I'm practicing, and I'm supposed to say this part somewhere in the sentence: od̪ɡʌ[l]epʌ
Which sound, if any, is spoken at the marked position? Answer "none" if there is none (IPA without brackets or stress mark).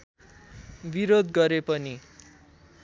ɾ